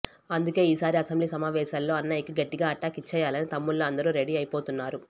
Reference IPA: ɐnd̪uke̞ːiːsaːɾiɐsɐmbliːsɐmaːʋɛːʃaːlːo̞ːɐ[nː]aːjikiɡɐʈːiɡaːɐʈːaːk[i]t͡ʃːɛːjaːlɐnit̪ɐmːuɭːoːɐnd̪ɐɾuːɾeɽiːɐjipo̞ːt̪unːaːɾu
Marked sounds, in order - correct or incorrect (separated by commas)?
correct, correct